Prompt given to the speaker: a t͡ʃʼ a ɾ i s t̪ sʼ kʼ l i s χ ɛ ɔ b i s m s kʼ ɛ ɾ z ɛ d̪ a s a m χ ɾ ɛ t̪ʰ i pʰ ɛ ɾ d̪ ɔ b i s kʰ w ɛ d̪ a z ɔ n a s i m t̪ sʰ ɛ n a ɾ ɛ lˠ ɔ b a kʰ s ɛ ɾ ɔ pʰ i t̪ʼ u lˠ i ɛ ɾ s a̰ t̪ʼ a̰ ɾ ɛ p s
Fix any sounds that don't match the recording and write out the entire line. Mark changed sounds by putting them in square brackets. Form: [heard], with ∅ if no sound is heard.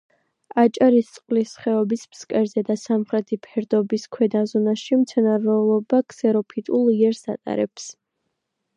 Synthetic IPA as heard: a t͡ʃʼ a ɾ i s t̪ sʼ [qʼ] l i s χ ɛ ɔ b i s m s kʼ ɛ ɾ z ɛ d̪ a s a m χ ɾ ɛ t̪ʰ i pʰ ɛ ɾ d̪ ɔ b i s kʰ w ɛ d̪ a z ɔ n a [ʃ] i m t̪ sʰ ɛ n a ɾ ɛ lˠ ɔ b a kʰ s ɛ ɾ ɔ pʰ i t̪ʼ u lˠ i ɛ ɾ s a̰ t̪ʼ a̰ ɾ ɛ p s